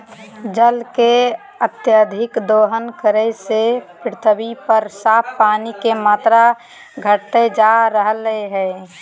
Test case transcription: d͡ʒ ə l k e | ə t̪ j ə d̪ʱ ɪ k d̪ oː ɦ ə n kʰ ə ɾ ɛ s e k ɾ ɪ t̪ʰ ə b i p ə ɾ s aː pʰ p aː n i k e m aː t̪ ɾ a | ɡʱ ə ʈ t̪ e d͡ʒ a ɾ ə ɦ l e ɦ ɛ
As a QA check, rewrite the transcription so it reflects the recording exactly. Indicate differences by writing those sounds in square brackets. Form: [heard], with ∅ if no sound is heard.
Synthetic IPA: d͡ʒ ə l k e | ə t̪ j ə d̪ʱ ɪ k d̪ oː ɦ ə n [k] ə ɾ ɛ s e [p] ɾ ɪ t̪ʰ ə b i p ə ɾ s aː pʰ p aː n i k e m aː t̪ ɾ a | ɡʱ ə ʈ t̪ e d͡ʒ a ɾ ə ɦ l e ɦ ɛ